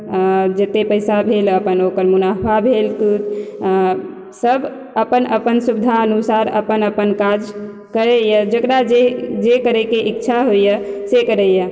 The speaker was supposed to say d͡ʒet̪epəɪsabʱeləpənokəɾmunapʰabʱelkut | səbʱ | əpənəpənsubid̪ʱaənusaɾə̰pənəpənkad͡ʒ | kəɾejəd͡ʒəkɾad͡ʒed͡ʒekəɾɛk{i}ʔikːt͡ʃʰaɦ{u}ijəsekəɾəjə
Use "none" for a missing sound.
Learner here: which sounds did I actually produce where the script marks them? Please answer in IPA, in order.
e, o

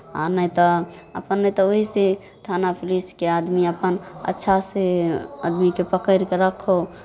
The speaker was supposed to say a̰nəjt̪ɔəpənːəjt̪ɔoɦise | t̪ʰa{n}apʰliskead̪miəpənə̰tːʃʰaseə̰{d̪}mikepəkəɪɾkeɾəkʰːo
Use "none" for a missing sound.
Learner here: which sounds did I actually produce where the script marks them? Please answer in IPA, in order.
n, d̪

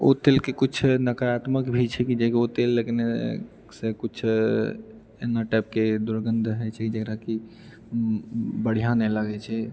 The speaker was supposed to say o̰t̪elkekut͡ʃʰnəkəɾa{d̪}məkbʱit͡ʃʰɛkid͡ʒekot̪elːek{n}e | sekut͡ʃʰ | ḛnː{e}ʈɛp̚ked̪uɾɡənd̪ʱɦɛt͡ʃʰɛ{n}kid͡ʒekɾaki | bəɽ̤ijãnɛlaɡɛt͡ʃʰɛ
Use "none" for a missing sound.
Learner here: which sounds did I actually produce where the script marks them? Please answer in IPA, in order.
t̪, n, a, none

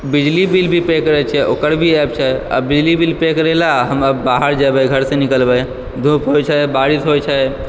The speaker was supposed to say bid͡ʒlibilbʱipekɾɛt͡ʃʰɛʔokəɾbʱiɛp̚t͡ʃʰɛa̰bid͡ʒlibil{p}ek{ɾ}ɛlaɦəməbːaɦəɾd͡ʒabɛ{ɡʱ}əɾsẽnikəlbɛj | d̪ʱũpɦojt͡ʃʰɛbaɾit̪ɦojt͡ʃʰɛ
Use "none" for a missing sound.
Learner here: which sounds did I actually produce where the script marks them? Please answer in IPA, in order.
p, ɾ, ɡʱ

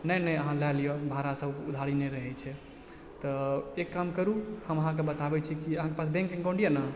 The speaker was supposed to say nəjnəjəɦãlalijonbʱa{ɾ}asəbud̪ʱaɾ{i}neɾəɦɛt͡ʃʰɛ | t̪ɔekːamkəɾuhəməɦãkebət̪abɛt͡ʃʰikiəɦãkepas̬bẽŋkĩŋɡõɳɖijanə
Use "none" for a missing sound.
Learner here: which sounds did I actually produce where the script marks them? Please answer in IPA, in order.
ɾ, i

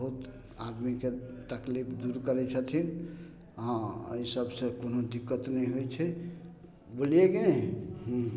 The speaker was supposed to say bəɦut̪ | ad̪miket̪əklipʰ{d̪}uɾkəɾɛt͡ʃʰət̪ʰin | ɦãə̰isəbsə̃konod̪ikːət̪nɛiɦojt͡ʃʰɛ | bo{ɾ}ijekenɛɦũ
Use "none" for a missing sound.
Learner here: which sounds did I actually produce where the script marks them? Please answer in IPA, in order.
d̪, l

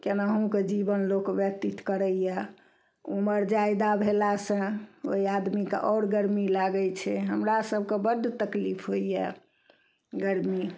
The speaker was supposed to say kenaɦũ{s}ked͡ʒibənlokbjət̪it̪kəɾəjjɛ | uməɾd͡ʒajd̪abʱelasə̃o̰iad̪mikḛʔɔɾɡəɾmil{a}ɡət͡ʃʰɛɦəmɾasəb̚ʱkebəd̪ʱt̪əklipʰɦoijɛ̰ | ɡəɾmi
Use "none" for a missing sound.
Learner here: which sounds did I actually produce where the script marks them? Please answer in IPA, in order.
none, a

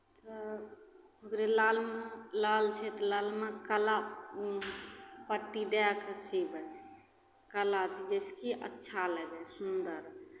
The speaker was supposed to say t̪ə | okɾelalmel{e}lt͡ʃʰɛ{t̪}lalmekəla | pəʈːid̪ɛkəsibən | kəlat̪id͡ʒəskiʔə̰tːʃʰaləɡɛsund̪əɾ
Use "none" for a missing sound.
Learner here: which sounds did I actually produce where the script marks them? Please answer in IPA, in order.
a, t̪

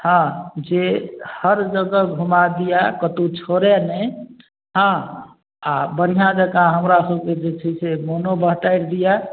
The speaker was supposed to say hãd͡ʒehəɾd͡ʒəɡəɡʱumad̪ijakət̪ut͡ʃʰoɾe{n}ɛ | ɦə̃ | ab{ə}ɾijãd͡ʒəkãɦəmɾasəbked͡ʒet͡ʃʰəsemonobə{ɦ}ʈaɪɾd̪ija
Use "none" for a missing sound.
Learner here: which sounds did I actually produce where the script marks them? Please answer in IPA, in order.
n, ə, ɦ

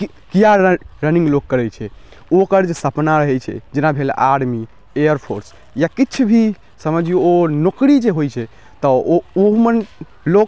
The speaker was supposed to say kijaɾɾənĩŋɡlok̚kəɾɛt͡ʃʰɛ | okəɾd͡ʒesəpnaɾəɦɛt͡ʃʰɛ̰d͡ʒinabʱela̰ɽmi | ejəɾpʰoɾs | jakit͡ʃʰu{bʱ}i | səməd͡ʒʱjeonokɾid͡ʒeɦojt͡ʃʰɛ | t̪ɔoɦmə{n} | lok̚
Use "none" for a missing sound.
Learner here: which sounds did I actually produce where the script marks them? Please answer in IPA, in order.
bʱ, n

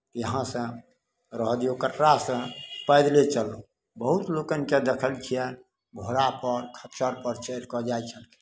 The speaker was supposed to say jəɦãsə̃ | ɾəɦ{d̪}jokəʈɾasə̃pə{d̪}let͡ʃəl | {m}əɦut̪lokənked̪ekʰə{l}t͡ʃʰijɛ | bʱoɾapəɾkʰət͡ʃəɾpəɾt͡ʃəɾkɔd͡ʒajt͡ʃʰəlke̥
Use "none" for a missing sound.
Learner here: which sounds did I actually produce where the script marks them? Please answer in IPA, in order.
d̪, d̪, b, l

